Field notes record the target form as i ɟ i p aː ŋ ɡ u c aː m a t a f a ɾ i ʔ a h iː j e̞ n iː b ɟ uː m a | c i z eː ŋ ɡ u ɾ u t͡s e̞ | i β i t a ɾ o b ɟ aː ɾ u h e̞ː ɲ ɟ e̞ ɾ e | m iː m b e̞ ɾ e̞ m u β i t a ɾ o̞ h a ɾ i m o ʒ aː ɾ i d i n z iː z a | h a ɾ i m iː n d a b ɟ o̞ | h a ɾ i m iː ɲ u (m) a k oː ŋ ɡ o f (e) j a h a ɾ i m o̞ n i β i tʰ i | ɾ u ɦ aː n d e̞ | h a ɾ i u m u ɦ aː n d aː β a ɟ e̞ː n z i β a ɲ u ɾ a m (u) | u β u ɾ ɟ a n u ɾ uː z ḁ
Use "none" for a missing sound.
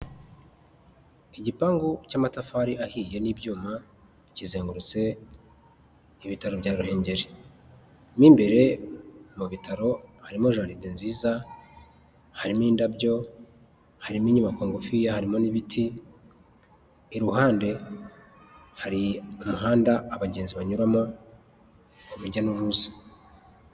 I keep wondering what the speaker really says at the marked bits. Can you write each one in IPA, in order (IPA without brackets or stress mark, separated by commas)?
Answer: m, i, o